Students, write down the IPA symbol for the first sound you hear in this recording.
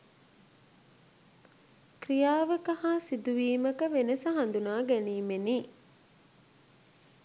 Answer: k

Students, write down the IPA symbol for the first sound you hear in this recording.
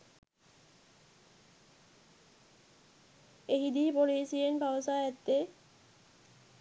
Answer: e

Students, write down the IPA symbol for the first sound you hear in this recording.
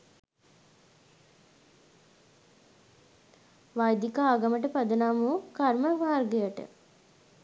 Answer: ʋ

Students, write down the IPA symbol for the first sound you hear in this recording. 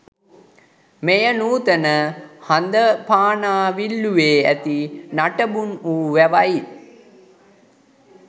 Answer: m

